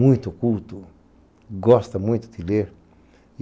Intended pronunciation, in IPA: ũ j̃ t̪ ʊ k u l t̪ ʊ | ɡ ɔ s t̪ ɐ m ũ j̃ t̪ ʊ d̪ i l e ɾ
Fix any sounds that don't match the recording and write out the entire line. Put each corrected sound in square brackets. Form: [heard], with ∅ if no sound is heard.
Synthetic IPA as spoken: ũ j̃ t̪ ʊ k u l t̪ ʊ | ɡ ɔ s t̪ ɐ m ũ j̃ t̪ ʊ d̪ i l e ɾ